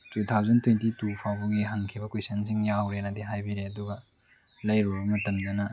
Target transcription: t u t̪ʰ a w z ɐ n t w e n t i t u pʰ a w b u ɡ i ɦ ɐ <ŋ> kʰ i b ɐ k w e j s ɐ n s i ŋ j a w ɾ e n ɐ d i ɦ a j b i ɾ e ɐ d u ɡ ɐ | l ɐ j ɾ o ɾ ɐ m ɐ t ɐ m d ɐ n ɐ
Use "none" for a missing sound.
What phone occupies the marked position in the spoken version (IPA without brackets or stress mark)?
ŋ